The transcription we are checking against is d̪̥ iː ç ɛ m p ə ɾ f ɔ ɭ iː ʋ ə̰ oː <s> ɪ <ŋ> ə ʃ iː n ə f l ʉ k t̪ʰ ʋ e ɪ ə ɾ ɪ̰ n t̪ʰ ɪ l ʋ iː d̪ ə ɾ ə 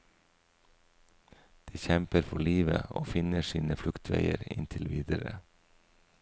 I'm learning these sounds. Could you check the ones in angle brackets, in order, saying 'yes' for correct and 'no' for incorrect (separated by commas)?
no, no